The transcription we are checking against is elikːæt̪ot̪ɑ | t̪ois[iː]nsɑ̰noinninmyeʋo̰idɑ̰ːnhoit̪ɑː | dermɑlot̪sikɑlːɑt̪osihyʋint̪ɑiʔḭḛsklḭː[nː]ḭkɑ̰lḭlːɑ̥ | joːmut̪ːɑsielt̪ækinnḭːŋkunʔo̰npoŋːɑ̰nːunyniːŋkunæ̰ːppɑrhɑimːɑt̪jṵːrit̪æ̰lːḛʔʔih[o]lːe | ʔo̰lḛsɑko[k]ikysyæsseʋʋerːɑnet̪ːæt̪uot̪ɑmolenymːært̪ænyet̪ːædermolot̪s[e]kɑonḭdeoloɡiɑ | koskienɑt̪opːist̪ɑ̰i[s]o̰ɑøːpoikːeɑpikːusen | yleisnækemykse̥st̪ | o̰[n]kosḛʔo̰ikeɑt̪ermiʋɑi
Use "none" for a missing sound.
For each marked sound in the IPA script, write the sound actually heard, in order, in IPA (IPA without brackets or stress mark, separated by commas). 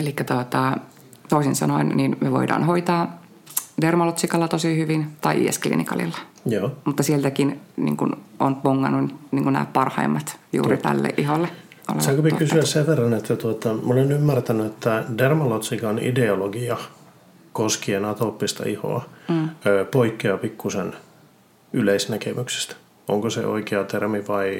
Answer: i, n, o, p, i, h, ŋ